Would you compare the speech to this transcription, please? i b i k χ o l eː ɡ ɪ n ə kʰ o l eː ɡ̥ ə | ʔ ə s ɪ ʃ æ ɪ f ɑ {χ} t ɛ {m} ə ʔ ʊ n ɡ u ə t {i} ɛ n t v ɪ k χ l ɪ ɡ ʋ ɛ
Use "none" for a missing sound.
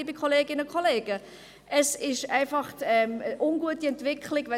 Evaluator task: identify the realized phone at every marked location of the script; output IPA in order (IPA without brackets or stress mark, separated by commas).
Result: χ, m, i